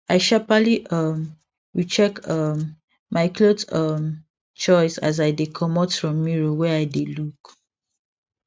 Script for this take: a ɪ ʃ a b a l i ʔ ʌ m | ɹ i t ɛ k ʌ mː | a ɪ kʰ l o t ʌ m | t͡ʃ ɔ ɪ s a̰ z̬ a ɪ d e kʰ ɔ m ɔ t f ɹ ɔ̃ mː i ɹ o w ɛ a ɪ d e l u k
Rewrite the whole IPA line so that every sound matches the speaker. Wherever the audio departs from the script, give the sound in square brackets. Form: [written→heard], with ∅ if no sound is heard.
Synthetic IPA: a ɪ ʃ a [b→p] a l i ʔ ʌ m | ɹ i [t→t͡ʃ] ɛ k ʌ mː | a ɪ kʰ l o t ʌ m | t͡ʃ ɔ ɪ s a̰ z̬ a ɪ d e kʰ ɔ m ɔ t f ɹ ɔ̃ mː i ɹ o w ɛ a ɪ d e l u k